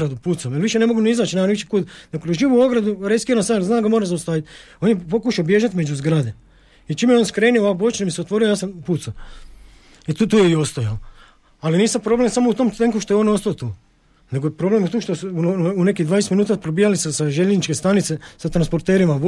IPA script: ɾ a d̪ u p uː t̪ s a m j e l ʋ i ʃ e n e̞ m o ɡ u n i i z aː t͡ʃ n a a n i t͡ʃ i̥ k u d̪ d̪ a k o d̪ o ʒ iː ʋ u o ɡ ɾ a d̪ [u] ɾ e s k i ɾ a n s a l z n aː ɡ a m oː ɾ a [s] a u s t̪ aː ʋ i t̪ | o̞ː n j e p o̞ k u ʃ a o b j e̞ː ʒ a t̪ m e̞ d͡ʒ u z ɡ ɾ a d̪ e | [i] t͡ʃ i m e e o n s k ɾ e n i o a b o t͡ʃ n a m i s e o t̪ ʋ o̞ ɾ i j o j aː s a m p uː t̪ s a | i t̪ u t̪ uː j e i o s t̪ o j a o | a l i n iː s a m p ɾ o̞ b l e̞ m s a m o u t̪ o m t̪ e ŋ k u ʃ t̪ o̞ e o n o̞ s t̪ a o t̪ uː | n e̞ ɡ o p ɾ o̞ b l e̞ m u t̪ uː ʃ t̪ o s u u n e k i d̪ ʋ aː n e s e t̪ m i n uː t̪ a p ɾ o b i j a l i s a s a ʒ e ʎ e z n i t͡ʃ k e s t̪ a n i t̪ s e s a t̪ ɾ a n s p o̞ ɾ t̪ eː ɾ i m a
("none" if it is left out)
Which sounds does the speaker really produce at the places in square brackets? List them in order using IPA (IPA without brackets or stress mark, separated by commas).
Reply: u, z, i